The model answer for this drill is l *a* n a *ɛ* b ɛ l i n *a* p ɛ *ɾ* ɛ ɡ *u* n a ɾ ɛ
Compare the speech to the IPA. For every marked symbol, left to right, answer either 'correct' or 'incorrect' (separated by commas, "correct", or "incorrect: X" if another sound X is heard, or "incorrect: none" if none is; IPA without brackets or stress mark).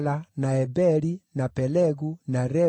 correct, correct, correct, incorrect: l, correct